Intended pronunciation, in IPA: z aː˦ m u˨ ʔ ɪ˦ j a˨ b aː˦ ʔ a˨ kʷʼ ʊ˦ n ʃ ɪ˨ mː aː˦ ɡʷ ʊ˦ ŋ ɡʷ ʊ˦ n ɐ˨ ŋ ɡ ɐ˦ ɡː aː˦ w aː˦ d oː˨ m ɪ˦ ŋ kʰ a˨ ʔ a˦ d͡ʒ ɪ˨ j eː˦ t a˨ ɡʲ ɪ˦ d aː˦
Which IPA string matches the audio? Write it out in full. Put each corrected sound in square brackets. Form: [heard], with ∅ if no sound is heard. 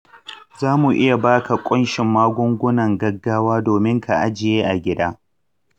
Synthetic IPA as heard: z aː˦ m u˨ ʔ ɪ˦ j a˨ b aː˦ [k] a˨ kʷʼ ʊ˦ n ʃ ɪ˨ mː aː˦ ɡʷ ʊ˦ ŋ ɡʷ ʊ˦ n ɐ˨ ŋ ɡ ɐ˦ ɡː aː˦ w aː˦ d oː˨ m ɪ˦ ŋ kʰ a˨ ʔ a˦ d͡ʒ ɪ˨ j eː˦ [ʔ] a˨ ɡʲ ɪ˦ d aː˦